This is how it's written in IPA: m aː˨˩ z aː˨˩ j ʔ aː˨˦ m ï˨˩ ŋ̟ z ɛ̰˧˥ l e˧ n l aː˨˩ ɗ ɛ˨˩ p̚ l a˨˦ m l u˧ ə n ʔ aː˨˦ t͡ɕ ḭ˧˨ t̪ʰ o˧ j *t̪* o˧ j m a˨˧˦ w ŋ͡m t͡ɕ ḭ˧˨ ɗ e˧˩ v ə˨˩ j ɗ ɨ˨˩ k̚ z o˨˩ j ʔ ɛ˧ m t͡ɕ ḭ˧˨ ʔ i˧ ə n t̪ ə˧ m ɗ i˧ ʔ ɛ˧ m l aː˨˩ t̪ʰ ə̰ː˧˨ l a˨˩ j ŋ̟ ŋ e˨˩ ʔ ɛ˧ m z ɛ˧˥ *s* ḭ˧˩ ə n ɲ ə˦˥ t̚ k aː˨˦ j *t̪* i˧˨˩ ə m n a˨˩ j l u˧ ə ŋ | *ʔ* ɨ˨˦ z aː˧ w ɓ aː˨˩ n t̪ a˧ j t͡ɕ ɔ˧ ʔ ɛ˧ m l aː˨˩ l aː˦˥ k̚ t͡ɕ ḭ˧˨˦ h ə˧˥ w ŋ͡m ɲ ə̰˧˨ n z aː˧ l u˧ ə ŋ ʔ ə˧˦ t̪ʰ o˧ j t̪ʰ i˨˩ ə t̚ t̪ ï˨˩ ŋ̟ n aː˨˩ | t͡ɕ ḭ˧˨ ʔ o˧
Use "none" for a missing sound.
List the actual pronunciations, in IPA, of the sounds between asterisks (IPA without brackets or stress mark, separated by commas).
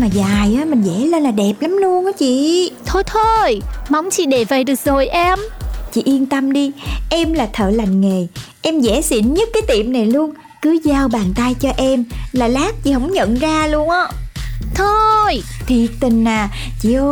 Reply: t̪ʰ, s, t̪, k